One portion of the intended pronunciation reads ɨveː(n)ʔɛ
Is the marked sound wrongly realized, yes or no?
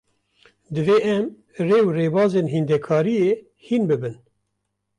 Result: yes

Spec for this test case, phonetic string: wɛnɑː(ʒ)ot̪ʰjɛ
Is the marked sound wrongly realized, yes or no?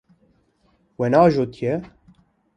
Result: no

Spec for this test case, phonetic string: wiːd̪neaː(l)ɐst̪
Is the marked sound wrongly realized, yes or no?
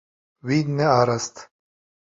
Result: yes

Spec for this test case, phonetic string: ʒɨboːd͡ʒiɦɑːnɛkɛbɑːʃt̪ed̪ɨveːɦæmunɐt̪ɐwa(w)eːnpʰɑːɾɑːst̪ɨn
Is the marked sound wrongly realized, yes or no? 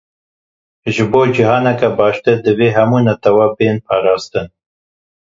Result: yes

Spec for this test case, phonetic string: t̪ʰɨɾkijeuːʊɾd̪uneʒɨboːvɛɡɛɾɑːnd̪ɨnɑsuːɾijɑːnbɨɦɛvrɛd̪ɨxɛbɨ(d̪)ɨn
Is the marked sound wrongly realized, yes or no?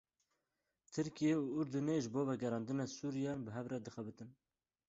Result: yes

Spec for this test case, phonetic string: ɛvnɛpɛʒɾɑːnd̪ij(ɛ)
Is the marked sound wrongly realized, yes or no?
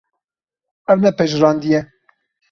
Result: no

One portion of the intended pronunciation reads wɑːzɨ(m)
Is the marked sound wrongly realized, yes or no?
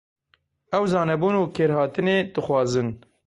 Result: yes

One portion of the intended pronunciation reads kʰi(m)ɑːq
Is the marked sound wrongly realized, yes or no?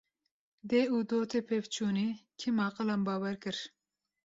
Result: no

